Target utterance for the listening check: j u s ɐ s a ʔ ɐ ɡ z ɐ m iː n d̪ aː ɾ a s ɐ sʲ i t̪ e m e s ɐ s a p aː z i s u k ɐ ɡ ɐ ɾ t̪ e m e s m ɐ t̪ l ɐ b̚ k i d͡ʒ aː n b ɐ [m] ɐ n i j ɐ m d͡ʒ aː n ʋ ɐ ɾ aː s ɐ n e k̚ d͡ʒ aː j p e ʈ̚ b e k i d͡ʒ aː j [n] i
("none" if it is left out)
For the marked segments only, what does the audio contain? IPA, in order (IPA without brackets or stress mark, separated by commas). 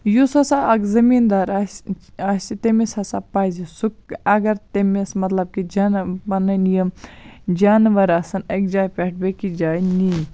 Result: n, n